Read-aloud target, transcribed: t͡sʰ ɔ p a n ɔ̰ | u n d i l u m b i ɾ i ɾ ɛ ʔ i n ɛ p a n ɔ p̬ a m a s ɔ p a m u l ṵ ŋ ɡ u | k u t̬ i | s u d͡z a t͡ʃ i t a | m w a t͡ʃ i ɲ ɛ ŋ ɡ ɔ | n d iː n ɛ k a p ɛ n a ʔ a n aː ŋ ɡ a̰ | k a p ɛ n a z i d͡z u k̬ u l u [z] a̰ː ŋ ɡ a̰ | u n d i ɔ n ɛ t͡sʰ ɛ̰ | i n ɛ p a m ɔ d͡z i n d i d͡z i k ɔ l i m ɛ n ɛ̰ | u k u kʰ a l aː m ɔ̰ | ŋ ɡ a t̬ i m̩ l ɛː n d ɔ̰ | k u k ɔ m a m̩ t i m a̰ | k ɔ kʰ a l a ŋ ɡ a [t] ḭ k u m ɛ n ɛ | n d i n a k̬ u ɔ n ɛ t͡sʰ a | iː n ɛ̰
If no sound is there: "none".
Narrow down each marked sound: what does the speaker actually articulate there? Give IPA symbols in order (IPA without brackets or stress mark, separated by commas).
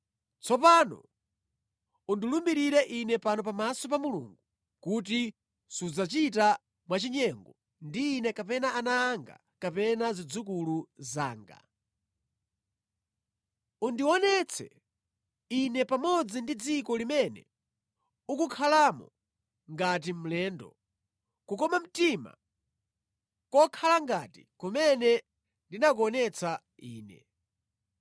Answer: z, t